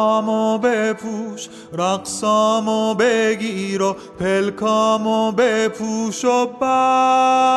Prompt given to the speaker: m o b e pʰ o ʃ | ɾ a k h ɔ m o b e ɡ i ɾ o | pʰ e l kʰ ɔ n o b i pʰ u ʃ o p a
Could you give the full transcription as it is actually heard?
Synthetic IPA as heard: m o b e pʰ u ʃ | ɾ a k s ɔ m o b e ɡ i ɾ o | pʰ e l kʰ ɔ m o b e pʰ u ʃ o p a